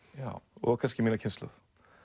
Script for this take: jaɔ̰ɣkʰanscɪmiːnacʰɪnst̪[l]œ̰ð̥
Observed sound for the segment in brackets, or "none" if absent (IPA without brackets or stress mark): l